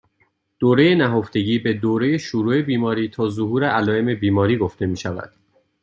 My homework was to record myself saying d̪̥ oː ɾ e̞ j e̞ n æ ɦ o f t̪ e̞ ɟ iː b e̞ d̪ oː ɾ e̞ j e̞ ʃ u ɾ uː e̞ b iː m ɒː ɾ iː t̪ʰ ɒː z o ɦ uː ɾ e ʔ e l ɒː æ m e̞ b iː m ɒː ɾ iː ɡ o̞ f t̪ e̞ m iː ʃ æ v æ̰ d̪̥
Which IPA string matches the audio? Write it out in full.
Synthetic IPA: d̪̥ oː ɾ e̞ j e̞ n æ ɦ o f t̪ e̞ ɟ iː b e̞ d̪ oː ɾ e̞ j e̞ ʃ u ɾ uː e̞ b iː m ɒː ɾ iː t̪ʰ ɒː z o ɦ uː ɾ e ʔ æ l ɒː e m e̞ b iː m ɒː ɾ iː ɡ o̞ f t̪ e̞ m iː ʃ æ v æ̰ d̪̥